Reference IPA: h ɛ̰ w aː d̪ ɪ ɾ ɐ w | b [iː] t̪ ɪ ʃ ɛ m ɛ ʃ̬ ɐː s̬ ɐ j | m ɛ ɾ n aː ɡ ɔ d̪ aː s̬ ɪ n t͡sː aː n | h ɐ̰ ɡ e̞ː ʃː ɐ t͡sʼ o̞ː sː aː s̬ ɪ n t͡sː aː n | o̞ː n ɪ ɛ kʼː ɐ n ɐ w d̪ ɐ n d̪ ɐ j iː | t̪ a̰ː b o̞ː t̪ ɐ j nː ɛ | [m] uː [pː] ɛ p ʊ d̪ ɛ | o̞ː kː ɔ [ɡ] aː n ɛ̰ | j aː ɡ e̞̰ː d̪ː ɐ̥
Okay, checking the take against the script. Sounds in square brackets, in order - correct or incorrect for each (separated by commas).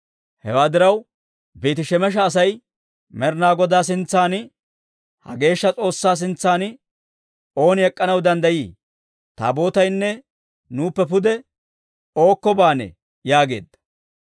correct, incorrect, correct, incorrect